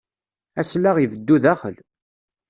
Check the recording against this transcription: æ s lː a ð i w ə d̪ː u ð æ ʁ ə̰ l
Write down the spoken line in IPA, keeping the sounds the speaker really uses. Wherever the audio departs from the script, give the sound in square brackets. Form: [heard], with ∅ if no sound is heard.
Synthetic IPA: æ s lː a [ʁ] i [v] ə d̪ː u ð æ [χ] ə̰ l